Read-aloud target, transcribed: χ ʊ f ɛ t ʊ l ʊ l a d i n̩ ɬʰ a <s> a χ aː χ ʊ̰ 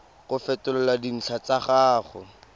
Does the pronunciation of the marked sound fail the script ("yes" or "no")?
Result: yes